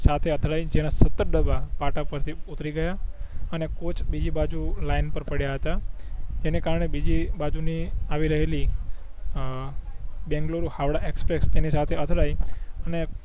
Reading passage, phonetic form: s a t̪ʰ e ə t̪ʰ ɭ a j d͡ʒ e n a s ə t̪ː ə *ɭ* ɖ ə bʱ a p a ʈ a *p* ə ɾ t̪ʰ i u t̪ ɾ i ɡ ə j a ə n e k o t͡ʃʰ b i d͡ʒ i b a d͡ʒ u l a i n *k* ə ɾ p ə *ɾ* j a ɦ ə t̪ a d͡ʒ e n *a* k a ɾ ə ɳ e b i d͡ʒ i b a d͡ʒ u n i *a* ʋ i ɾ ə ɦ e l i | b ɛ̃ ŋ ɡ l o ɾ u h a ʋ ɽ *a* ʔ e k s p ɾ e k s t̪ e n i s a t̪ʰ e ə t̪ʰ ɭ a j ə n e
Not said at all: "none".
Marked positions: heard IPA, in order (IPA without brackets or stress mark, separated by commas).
ɾ, p, p, ɽ, e, a, a